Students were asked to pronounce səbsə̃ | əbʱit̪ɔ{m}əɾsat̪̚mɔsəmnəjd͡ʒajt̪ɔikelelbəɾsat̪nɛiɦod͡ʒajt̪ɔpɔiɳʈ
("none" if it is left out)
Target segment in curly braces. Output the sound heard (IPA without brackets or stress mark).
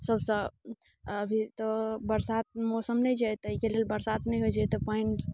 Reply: b